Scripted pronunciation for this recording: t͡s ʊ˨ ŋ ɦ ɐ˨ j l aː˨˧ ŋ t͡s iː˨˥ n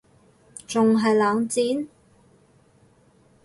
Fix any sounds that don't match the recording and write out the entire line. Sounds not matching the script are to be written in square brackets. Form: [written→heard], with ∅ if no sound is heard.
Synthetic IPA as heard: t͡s ʊ˨ ŋ ɦ ɐ˨ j l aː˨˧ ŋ t͡s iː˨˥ n